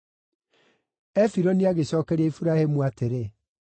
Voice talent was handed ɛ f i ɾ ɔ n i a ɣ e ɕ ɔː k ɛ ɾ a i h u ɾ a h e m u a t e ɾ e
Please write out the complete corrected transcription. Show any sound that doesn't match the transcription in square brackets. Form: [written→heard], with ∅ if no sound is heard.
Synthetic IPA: ɛ f i ɾ ɔ n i a ɣ e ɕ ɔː k ɛ ɾ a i [h→f] u ɾ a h e m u a t e ɾ e